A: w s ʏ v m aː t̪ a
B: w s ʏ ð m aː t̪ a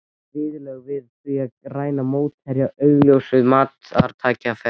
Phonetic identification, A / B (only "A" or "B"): B